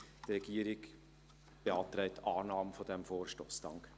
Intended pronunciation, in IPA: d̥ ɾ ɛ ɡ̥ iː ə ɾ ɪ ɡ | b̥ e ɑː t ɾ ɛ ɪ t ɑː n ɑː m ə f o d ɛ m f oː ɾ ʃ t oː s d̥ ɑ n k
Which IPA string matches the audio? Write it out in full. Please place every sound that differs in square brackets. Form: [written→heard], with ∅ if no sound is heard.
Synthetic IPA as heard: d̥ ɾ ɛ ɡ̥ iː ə ɾ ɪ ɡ | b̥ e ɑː t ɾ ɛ ɪ t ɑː n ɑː m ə f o d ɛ m f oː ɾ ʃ t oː s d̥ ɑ [n→ŋ] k